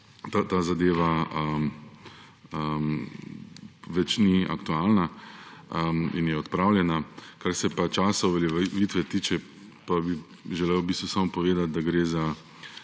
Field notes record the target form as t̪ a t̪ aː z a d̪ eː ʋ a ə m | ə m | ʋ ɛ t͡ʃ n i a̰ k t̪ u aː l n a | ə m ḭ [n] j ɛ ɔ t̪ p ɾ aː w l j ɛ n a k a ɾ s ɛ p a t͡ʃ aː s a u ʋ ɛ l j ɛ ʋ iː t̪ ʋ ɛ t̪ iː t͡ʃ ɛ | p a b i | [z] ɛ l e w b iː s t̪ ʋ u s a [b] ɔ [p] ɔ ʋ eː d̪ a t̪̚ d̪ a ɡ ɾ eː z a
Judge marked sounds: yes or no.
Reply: yes, no, no, yes

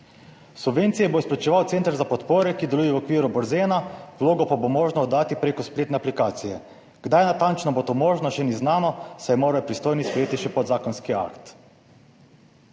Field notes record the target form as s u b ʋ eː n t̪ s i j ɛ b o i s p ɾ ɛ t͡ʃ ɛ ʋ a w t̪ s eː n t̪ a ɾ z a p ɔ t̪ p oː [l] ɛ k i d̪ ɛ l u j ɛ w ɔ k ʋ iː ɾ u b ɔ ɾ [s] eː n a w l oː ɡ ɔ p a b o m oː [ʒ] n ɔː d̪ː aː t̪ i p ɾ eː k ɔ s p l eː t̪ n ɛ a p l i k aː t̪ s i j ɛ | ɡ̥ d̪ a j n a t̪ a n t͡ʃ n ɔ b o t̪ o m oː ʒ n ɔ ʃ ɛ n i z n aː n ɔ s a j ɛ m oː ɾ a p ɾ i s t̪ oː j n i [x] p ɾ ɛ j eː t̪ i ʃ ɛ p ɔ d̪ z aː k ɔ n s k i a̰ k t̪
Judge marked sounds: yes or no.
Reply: no, no, yes, no

